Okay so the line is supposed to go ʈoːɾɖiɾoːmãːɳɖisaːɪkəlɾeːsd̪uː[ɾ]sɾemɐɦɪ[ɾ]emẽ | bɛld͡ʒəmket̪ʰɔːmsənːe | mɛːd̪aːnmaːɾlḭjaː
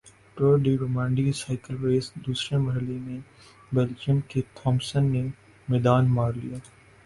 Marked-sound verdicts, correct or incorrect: incorrect, incorrect

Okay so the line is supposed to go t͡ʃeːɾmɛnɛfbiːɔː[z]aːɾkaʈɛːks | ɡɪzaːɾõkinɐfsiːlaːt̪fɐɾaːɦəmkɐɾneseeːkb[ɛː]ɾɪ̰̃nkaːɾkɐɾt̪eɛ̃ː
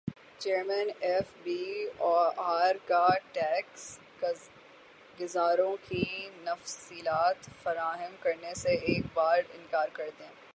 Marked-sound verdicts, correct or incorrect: incorrect, incorrect

